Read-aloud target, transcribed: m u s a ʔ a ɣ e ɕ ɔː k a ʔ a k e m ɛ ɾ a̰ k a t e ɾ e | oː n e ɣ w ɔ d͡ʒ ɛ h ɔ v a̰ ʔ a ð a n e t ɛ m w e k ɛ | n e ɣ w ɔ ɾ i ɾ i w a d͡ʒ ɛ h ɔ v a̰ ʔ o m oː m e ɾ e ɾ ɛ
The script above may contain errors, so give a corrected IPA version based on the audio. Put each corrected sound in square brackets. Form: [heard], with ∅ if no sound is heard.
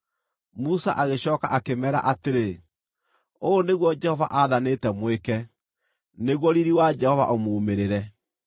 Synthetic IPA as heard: m u s a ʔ a ɣ e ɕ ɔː k a ʔ a k e m ɛ ɾ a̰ [ʔ] a t e ɾ e | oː n e ɣ w ɔ d͡ʒ ɛ h ɔ v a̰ ʔ a ð a n e t ɛ m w e k ɛ | n e ɣ w ɔ ɾ i ɾ i w a d͡ʒ ɛ h ɔ v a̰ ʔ o m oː m e ɾ e ɾ ɛ

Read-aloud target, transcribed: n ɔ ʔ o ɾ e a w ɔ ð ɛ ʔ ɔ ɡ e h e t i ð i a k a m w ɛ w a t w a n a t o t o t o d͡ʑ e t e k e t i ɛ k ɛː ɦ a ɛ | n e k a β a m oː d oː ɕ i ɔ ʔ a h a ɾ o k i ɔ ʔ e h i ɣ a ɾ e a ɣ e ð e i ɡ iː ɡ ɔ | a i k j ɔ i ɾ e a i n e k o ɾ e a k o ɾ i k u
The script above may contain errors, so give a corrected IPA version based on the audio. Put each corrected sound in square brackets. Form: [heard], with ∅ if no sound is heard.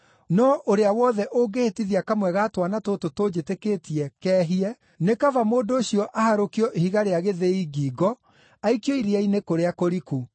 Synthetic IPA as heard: n ɔ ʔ o ɾ e a w ɔ ð ɛ ʔ [o] ɡ e h e t i ð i a k a m w ɛ [ɣ] a t w a n a t o t o t o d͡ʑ e t e k e t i ɛ k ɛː ɦ [i] ɛ | n e k a [v] a m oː d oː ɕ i ɔ ʔ a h a ɾ o k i ɔ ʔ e h i ɣ a ɾ e a ɣ e ð e i ɡ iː ɡ ɔ | a i k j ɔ i ɾ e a i n e k o ɾ e a k o ɾ i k u

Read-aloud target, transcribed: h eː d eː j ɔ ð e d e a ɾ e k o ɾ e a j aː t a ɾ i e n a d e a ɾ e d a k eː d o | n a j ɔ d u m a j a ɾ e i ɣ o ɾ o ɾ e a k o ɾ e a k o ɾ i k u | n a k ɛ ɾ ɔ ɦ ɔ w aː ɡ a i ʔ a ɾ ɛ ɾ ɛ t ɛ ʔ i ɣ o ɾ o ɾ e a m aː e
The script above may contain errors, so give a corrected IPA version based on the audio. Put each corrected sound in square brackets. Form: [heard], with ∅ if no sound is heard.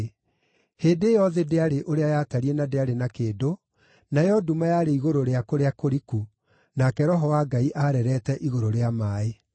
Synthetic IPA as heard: h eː d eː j ɔ ð e d e a ɾ e [ʔ] o ɾ e a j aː t a ɾ i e n a d e a ɾ e [n] a k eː d o | n a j ɔ d u m a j a ɾ e i ɣ o ɾ o ɾ e a k o ɾ e a k o ɾ i k u | n a k ɛ ɾ ɔ ɦ ɔ w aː ɡ a i ʔ a ɾ ɛ ɾ ɛ t ɛ ʔ i ɣ o ɾ o ɾ e a m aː e

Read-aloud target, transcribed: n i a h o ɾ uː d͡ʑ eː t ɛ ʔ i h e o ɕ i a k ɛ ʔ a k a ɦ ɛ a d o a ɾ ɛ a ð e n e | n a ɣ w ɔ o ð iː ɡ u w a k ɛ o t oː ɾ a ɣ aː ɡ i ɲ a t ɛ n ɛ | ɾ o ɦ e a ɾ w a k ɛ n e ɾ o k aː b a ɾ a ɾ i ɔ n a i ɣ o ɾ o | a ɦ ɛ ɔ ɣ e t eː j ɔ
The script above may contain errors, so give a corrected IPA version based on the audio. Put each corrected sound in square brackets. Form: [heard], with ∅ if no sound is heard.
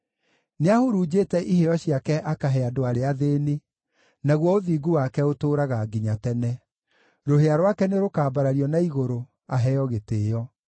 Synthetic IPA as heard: n [e] a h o ɾ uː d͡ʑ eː t ɛ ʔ i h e [ɔ] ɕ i a k ɛ ʔ a k a ɦ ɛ a d o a ɾ [e] a ð e n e | n a ɣ w ɔ o ð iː ɡ u w a k ɛ o t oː ɾ a ɣ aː ɡ i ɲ a t ɛ n ɛ | ɾ o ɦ e a ɾ w a k ɛ n e ɾ o k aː b a ɾ a ɾ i ɔ n a i ɣ o ɾ o | a ɦ ɛ ɔ ɣ e t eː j ɔ

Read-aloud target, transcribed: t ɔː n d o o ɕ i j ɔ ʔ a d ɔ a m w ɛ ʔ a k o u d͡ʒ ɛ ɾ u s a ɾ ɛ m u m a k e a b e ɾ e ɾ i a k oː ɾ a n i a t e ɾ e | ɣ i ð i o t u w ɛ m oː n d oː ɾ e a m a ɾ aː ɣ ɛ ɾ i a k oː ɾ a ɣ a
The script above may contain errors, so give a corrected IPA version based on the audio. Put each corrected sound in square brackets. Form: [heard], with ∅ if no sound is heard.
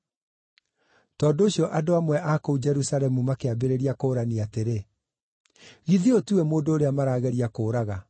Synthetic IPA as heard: t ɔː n d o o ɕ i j ɔ ʔ a d [o] a m w ɛ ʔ a k o u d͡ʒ ɛ ɾ u s a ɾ ɛ m u m a k e a b e ɾ e ɾ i a k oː ɾ a n i a t e ɾ e | ɣ i ð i o t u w ɛ m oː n d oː ɾ e a m a ɾ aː ɣ ɛ ɾ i a k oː ɾ a ɣ a

